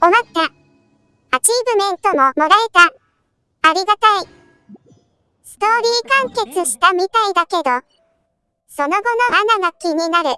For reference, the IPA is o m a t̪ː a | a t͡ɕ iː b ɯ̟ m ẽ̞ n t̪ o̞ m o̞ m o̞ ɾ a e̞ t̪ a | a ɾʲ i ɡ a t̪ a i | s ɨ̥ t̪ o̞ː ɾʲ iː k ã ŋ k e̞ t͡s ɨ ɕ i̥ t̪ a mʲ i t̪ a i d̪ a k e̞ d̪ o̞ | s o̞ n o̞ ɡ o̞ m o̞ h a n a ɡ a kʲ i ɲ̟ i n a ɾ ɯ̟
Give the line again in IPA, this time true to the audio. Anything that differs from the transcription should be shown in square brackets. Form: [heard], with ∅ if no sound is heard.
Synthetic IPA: o m a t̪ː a | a t͡ɕ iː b ɯ̟ m ẽ̞ n t̪ o̞ m o̞ m o̞ ɾ a e̞ t̪ a | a ɾʲ i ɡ a t̪ a i | s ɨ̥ t̪ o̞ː ɾʲ iː k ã ŋ k e̞ t͡s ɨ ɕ i̥ t̪ a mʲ i t̪ a i d̪ a k e̞ d̪ o̞ | s o̞ n o̞ ɡ o̞ [n] o̞ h a n a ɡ a kʲ i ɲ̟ i n a ɾ ɯ̟

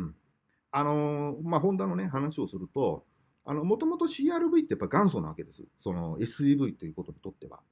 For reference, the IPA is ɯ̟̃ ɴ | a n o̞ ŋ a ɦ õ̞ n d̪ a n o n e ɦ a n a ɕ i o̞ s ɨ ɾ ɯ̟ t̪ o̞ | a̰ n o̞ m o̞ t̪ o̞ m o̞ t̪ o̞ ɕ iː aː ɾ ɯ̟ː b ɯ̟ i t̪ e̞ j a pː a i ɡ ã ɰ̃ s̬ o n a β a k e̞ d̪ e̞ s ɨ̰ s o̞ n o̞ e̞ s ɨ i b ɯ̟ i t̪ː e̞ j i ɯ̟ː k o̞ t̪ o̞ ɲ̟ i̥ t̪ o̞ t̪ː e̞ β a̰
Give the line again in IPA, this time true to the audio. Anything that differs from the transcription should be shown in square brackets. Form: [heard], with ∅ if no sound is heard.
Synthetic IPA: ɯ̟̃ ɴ | a n o̞ [m] a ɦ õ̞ n d̪ a n o n e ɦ a n a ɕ i o̞ s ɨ ɾ ɯ̟ t̪ o̞ | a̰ n o̞ m o̞ t̪ o̞ m o̞ t̪ o̞ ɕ iː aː ɾ [ɯ̟] b ɯ̟ i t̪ e̞ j a pː a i ɡ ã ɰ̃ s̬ o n a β a k e̞ d̪ e̞ s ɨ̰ s o̞ n o̞ e̞ s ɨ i b ɯ̟ i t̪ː e̞ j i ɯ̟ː k o̞ t̪ o̞ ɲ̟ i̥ t̪ o̞ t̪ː e̞ β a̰

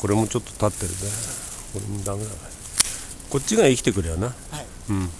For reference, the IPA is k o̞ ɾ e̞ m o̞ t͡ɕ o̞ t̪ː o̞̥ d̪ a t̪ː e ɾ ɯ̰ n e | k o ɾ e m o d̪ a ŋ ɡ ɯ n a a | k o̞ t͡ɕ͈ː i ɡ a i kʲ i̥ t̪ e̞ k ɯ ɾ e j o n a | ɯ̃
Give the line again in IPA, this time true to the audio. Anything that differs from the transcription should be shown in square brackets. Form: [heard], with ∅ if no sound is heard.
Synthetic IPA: k o̞ ɾ e̞ m o̞ t͡ɕ o̞ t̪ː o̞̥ [t̪] a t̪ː e ɾ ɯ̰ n e | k o ɾ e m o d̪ a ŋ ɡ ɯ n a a | k o̞ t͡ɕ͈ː i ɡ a i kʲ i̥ t̪ e̞ k ɯ ɾ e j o n a | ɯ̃

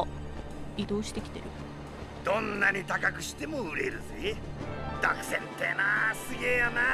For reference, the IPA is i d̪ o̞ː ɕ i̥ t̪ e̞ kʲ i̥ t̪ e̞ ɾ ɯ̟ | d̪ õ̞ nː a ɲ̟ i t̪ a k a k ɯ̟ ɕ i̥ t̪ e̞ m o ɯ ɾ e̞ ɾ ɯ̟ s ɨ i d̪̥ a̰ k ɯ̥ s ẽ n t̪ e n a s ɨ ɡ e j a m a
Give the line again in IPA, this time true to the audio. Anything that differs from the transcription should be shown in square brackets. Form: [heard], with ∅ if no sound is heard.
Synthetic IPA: i d̪ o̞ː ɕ i̥ t̪ e̞ kʲ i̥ t̪ e̞ ɾ ɯ̟ | d̪ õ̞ nː a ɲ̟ i t̪ a k a k ɯ̟ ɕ i̥ t̪ e̞ m o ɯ ɾ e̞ ɾ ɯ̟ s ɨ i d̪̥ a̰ k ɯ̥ s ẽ n t̪ e n a s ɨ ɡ e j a [n] a

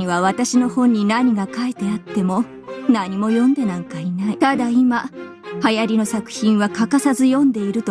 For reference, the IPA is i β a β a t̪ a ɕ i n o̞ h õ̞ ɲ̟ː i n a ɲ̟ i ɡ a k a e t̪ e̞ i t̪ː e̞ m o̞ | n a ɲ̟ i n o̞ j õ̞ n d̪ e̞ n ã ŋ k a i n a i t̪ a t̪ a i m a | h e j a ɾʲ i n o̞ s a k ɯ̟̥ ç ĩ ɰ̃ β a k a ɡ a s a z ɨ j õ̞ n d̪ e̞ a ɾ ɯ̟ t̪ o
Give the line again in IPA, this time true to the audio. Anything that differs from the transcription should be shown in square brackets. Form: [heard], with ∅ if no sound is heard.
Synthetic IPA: i β a β a t̪ a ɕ i n o̞ h õ̞ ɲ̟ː i n a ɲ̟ i ɡ a k a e t̪ e̞ [a] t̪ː e̞ m o̞ | n a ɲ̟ i [m] o̞ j õ̞ n d̪ e̞ n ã ŋ k a i n a i t̪ a [d̪] a i m a | h [a] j a ɾʲ i n o̞ s a k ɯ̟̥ ç ĩ ɰ̃ β a k a [k] a s a z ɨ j õ̞ n d̪ e̞ [i] ɾ ɯ̟ t̪ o

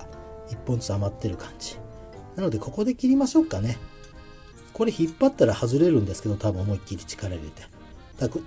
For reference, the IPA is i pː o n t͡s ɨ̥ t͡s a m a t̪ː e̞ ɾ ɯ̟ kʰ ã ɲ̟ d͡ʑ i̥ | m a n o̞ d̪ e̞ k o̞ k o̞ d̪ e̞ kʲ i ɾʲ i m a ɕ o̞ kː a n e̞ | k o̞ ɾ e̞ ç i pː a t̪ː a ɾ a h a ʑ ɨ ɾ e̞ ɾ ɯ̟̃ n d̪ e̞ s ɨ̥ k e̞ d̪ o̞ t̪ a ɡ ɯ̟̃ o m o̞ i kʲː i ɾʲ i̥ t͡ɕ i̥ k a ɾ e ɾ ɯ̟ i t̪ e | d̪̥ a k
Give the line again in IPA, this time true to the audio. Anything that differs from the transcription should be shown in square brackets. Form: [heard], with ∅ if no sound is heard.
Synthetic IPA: i pː o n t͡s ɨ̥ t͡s a m a t̪ː e̞ ɾ ɯ̟ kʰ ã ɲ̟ d͡ʑ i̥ | [n] a n o̞ d̪ e̞ k o̞ k o̞ d̪ e̞ kʲ i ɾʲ i m a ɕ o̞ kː a n e̞ | k o̞ ɾ e̞ ç i pː a t̪ː a ɾ a h a [z] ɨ ɾ e̞ ɾ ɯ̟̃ n d̪ e̞ s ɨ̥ k e̞ d̪ o̞ t̪ a [b] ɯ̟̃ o m o̞ i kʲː i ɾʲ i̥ t͡ɕ i̥ k a ɾ e ɾ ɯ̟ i t̪ e | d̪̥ a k

